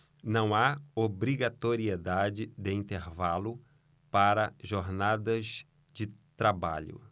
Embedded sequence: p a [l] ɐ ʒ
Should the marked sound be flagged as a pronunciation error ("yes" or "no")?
yes